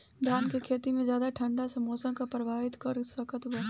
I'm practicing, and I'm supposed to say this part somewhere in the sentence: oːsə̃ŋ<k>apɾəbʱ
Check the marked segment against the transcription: correct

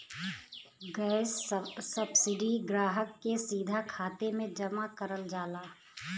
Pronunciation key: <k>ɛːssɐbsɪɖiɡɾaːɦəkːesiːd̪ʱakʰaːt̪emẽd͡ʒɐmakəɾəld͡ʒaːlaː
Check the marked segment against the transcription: incorrect: ɡ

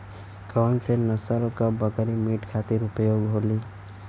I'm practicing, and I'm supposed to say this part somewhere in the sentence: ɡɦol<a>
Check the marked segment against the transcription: incorrect: i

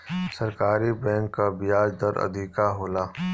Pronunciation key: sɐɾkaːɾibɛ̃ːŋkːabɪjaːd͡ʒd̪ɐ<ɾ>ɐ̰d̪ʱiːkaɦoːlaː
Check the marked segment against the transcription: correct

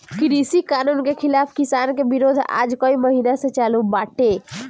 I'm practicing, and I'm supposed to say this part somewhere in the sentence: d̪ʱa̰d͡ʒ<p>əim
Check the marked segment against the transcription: incorrect: k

